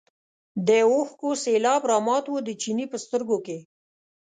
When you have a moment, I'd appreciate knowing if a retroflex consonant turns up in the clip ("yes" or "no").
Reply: no